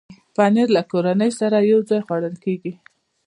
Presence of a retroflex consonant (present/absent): present